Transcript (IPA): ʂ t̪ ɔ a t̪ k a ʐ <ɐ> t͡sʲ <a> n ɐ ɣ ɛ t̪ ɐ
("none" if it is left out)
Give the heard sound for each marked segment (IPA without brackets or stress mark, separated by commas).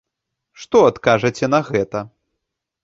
ɐ, ɛ